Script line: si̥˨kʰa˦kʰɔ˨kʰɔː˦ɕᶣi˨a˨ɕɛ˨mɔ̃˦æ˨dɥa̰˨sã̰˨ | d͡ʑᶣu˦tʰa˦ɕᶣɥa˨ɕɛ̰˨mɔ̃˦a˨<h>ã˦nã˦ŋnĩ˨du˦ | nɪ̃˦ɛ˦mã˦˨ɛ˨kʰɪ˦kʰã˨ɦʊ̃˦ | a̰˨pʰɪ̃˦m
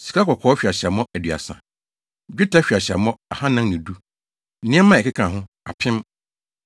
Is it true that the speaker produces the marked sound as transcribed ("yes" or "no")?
yes